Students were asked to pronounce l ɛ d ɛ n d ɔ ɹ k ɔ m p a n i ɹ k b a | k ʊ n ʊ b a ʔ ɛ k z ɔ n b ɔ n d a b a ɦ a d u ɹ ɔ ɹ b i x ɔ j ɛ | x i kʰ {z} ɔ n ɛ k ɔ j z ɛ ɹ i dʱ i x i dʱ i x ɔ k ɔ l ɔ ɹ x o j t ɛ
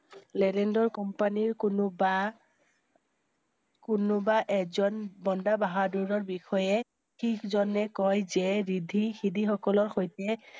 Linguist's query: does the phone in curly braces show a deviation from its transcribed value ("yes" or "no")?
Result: no